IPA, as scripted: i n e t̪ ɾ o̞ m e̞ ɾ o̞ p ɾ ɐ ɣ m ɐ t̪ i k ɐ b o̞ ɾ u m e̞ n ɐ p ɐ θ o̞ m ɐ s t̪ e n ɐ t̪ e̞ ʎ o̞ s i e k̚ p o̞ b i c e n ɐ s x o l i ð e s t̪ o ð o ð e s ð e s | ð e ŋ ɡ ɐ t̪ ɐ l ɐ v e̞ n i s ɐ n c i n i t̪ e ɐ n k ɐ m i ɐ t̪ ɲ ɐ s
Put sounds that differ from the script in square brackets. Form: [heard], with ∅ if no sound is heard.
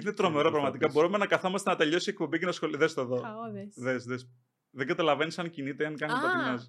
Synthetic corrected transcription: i n e t̪ ɾ o̞ m e̞ ɾ o̞ p ɾ ɐ ɣ m ɐ t̪ i k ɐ b o̞ ɾ u m e̞ n ɐ [k] ɐ θ o̞ m ɐ s t̪ e n ɐ t̪ e̞ ʎ o̞ s i e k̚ p o̞ b i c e n ɐ s x o l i ð e s t̪ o ð o ð e s ð e s | ð e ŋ ɡ ɐ t̪ ɐ l ɐ v e̞ n i s ɐ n c i n i t̪ e ɐ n k ɐ [n] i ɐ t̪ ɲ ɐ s